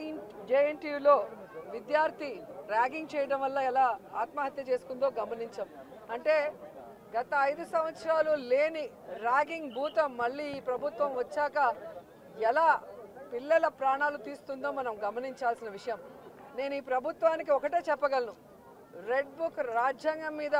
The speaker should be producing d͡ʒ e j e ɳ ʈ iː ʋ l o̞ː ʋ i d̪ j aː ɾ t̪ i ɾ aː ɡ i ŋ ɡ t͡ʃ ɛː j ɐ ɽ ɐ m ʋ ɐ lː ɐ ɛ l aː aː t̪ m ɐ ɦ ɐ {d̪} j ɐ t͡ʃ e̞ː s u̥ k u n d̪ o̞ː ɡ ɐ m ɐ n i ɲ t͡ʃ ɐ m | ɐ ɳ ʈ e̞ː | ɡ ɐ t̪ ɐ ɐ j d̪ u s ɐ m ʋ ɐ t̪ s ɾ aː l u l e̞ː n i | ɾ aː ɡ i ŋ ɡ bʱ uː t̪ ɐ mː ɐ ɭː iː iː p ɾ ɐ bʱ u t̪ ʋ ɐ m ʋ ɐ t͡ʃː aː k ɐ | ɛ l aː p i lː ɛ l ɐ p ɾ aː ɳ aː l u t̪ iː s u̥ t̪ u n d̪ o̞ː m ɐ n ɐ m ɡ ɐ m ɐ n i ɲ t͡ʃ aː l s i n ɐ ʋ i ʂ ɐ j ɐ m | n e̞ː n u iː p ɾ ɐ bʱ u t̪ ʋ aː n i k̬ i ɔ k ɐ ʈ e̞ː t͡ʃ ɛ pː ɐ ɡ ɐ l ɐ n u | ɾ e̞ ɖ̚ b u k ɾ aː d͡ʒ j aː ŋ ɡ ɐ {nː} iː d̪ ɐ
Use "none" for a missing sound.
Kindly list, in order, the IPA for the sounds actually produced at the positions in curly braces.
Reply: t̪, mː

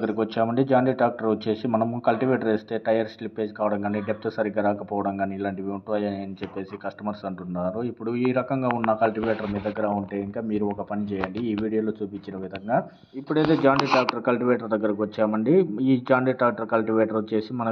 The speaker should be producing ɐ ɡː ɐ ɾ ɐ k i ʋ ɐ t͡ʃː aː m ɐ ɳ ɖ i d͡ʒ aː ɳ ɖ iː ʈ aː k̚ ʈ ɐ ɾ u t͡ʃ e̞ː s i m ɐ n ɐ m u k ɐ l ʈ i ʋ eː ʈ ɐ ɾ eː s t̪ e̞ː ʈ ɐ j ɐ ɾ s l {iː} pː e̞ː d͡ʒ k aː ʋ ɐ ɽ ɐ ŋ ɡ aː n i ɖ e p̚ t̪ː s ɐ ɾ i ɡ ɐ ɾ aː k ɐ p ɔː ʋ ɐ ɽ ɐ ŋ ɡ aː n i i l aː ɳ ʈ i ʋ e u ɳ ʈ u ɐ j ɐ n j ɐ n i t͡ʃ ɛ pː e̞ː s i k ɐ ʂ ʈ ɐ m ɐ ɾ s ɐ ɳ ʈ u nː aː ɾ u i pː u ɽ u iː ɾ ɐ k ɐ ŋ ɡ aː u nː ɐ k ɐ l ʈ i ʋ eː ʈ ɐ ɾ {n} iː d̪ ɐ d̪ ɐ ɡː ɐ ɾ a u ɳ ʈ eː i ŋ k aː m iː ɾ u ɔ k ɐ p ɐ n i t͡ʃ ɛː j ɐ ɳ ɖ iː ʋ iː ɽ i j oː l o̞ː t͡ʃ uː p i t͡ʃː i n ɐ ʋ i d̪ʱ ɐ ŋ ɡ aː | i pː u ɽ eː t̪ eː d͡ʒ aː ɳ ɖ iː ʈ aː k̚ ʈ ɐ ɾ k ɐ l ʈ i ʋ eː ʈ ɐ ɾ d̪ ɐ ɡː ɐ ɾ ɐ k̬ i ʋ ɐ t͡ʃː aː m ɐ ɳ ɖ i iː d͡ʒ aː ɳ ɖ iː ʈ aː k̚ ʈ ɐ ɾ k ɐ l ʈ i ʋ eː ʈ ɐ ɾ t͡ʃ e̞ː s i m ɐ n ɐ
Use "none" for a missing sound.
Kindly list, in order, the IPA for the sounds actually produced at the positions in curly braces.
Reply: i, m

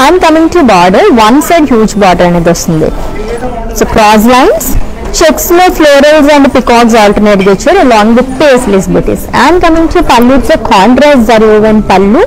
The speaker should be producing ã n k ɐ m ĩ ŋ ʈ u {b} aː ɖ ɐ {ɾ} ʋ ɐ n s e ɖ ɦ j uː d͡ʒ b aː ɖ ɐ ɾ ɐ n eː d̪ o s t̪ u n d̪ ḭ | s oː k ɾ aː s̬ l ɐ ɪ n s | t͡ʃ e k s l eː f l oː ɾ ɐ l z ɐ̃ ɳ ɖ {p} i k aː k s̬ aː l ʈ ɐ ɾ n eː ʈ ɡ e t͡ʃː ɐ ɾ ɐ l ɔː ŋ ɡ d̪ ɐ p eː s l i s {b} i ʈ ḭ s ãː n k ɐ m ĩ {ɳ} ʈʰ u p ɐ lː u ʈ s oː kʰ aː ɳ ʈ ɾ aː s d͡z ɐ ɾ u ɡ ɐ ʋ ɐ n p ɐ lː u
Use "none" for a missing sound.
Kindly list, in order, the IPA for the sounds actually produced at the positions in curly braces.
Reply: b, ɾ, p, b, ŋ

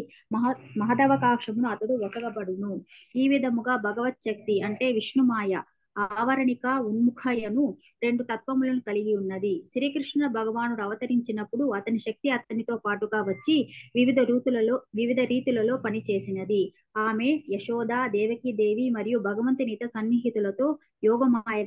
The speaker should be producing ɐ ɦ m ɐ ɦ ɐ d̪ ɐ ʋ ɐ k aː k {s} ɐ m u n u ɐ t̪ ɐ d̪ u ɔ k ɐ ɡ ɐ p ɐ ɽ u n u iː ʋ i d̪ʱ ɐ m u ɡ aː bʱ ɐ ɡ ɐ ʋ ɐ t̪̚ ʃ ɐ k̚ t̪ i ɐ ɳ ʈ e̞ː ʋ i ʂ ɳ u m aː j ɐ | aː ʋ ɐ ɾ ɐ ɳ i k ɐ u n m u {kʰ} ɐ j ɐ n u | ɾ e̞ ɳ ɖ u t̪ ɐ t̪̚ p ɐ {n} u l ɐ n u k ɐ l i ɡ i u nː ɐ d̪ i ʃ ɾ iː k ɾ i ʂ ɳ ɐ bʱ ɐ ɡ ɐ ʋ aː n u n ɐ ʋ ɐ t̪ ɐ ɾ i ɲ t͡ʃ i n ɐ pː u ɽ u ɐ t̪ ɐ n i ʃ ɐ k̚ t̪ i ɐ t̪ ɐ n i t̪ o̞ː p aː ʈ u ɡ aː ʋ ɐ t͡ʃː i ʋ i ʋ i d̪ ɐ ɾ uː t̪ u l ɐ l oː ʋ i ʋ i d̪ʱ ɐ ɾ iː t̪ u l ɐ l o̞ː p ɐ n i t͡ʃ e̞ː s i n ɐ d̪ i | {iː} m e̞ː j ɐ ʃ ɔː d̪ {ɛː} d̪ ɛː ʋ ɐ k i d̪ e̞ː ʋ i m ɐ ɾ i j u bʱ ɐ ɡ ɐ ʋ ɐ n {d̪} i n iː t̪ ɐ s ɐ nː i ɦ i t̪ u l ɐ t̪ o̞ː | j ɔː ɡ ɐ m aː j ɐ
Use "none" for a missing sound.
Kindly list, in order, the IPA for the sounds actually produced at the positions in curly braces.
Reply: ʂ, kʰ, m, aː, aː, t̪

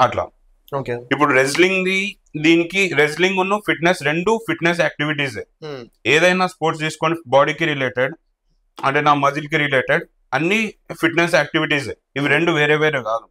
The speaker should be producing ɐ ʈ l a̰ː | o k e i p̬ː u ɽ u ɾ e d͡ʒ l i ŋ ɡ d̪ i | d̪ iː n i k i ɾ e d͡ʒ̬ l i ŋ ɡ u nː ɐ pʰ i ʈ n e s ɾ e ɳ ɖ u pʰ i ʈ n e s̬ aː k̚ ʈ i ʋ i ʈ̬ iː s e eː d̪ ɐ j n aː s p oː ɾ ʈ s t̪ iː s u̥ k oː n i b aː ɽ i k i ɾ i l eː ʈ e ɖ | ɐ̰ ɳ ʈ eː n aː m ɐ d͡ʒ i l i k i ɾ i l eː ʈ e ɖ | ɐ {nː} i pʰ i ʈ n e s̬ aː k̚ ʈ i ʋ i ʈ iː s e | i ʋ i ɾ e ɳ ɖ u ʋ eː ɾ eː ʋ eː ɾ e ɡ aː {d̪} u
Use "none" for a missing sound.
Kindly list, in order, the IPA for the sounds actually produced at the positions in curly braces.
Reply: nː, d̪

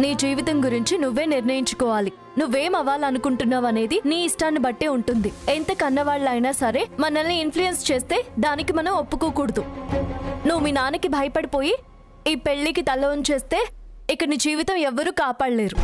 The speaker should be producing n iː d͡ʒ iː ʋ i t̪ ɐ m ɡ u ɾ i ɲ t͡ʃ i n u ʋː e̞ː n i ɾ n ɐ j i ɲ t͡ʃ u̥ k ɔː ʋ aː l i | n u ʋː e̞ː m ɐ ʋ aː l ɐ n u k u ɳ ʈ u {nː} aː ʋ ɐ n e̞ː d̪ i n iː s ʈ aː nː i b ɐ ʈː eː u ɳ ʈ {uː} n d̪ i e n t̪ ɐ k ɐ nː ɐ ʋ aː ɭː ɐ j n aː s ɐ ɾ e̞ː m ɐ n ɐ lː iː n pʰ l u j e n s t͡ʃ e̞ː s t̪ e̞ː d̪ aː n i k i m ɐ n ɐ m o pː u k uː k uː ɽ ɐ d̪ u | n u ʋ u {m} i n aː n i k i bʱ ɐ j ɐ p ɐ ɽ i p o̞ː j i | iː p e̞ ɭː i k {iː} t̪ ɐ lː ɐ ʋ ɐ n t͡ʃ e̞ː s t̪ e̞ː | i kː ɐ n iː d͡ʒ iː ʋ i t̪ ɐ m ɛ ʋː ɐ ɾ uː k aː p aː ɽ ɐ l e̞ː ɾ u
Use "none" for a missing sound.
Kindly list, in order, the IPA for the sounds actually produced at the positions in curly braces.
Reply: nː, u, m, i

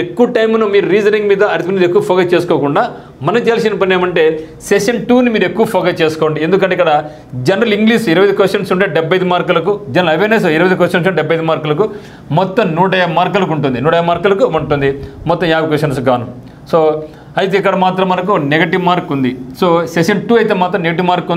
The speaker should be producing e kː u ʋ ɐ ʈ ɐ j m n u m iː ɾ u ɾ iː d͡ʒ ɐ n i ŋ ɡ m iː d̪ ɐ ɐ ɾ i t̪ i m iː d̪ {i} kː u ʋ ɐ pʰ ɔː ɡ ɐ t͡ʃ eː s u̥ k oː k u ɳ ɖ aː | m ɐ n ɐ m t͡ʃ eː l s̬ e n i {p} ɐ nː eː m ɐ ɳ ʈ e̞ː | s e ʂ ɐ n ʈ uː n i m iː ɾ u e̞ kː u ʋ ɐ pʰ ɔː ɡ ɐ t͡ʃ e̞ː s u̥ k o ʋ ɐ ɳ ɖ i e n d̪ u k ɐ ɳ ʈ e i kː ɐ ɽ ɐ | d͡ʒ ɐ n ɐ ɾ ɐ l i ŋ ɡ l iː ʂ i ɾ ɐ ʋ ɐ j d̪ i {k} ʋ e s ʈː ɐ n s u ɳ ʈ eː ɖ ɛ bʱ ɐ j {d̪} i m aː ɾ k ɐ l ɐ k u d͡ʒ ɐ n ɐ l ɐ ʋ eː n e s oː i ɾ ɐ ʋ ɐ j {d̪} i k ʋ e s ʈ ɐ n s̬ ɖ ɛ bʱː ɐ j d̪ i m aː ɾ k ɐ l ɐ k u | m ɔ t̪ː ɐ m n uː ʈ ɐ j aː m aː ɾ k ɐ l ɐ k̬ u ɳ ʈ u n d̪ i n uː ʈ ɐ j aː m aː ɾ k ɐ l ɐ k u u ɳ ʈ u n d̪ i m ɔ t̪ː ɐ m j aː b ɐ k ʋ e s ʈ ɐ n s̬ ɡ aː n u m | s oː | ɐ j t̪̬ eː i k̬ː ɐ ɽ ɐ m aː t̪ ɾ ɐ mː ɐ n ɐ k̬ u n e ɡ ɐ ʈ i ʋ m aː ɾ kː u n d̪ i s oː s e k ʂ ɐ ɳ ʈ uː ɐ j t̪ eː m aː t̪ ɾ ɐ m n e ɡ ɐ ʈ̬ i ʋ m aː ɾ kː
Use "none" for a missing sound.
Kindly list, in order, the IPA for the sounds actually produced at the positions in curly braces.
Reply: e, p, k, d̪, d̪

